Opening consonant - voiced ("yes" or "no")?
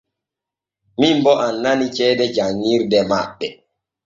yes